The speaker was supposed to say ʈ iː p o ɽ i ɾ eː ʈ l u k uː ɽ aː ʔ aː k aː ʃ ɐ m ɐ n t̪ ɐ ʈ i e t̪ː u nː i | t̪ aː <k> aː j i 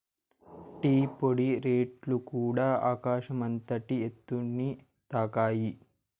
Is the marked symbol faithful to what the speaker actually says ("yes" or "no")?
yes